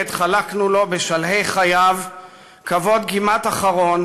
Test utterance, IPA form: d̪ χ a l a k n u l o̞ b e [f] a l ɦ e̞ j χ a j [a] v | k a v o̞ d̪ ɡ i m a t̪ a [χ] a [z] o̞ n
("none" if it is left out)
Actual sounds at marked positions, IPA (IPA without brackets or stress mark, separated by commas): ʃ, a, χ, ʁ